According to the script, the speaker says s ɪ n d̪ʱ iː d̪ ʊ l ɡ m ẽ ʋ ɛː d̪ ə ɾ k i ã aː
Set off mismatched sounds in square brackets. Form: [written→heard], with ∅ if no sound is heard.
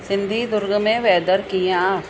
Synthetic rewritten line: s ɪ n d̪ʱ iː d̪ ʊ [l→ɾ] ɡ m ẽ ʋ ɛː d̪ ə ɾ k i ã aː